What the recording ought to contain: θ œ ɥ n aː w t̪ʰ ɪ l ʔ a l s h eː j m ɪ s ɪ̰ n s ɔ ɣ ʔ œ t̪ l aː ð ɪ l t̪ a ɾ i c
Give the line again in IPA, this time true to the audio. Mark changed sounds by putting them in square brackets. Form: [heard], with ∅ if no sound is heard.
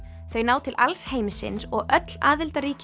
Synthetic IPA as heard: θ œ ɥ n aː w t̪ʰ ɪ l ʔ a l s h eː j m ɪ s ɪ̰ n s ɔ ɣ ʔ œ t̪ l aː ð ɪ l t̪ a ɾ [iː] c